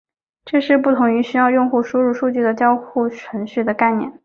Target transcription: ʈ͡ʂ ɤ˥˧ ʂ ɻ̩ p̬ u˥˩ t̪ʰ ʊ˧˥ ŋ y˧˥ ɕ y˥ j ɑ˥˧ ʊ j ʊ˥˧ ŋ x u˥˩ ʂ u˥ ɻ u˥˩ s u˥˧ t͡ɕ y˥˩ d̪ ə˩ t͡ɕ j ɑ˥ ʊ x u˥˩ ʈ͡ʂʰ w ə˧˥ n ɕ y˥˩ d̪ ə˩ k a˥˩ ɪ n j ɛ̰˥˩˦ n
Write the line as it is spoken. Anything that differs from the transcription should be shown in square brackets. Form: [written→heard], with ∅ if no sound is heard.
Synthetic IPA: ʈ͡ʂ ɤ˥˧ ʂ ɻ̩ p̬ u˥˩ t̪ʰ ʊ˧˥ ŋ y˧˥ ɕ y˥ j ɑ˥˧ ʊ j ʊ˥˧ ŋ x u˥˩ ʂ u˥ ɻ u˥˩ [s→ʂ] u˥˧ t͡ɕ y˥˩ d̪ ə˩ t͡ɕ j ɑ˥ ʊ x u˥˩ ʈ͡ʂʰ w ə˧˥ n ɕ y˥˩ d̪ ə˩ k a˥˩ ɪ n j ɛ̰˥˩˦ n